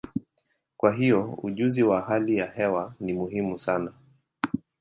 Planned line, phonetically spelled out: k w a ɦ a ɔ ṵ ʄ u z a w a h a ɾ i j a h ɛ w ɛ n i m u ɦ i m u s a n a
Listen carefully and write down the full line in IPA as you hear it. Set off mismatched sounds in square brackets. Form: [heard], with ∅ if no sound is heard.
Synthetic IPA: k w a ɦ [i] ɔ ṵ ʄ u z [i] w a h a [l] i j a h ɛ w [a] n i m u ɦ i m u s a n a